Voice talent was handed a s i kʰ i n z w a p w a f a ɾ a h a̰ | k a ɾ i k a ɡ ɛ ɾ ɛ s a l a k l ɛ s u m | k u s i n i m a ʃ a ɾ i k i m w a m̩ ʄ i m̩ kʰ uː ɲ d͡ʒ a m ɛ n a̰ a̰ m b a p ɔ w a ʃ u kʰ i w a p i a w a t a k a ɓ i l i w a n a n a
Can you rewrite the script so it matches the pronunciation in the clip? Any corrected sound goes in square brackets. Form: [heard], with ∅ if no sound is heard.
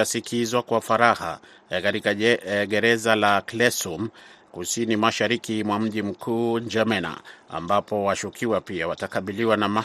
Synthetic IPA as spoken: a s i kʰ i [∅] z w a [k] w a f a ɾ a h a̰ | k a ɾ i k a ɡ ɛ ɾ ɛ [z] a l a k l ɛ s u m | k u s i n i m a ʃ a ɾ i k i m w a m̩ ʄ i m̩ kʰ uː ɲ d͡ʒ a m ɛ n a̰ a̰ m b a p ɔ w a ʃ u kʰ i w a p i a w a t a k a ɓ i l i w a n a [m] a